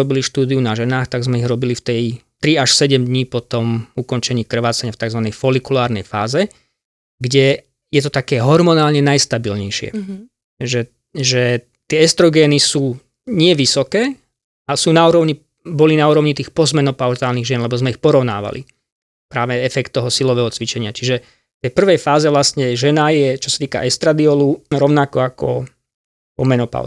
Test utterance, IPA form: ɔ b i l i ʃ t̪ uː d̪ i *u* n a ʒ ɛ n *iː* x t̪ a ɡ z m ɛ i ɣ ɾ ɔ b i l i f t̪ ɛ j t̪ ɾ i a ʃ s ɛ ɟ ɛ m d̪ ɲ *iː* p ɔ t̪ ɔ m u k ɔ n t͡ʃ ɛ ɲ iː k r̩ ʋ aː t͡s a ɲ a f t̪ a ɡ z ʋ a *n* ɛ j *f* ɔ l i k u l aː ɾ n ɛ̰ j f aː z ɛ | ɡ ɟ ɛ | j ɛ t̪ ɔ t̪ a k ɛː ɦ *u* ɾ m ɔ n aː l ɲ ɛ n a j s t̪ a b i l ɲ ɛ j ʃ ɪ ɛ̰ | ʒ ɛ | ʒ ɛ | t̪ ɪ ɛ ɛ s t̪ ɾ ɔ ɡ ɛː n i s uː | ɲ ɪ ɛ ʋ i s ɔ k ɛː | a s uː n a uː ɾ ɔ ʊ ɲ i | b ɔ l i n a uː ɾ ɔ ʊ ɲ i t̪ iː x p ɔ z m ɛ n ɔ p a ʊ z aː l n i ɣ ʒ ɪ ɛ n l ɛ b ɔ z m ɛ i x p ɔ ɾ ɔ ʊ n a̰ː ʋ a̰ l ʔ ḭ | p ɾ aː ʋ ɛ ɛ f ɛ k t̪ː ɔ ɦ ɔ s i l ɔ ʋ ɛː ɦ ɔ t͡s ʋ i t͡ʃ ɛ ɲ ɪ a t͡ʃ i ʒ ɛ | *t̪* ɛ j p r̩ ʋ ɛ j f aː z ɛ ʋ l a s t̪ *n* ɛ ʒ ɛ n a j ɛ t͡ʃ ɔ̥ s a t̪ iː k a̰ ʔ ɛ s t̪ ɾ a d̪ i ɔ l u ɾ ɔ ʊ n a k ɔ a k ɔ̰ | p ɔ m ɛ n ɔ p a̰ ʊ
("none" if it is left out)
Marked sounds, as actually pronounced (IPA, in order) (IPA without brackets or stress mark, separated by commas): u, aː, iː, n, f, ɔ, t̪, ɲ